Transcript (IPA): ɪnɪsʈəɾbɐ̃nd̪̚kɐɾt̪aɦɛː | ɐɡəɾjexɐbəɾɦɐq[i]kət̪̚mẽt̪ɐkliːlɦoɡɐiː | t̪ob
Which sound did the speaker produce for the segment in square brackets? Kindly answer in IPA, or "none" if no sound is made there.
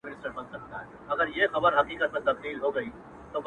iː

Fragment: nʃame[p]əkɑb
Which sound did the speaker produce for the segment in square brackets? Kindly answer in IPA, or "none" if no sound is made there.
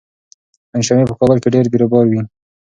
p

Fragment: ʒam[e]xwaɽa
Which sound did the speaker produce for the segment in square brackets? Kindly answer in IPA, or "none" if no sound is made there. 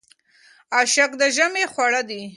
e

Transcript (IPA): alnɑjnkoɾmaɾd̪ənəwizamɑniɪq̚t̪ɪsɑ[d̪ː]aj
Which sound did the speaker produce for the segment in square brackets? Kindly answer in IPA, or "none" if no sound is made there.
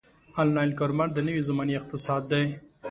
d̪ː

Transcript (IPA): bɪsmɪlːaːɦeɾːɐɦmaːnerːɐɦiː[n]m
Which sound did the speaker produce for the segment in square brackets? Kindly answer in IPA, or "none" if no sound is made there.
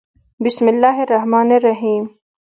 none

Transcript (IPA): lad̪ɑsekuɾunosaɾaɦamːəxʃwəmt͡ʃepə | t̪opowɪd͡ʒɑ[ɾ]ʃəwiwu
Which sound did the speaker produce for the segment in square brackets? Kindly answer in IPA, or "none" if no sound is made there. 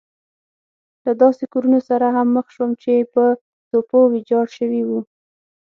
ɽ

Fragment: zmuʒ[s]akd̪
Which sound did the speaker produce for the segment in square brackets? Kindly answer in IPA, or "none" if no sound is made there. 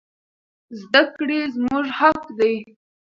h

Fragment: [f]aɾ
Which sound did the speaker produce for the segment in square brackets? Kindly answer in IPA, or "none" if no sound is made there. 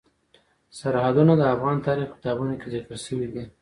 s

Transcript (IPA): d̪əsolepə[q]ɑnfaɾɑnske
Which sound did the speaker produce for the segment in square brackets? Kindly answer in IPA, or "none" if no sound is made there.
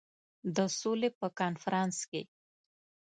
k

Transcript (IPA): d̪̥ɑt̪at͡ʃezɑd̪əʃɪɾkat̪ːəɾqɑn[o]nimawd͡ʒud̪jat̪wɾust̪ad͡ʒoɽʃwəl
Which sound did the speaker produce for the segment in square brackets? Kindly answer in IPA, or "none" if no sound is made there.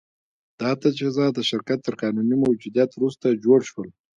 u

